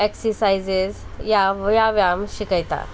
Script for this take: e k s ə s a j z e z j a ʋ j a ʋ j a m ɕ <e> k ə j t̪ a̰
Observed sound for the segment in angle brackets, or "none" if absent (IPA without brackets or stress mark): i